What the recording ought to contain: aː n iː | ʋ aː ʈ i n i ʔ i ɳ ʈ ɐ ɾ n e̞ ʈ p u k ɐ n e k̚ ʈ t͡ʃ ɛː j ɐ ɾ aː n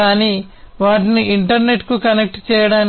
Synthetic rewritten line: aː n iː | ʋ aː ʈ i n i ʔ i ɳ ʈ ɐ ɾ n e̞ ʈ k u k ɐ n e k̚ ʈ t͡ʃ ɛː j ɐ ɽ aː n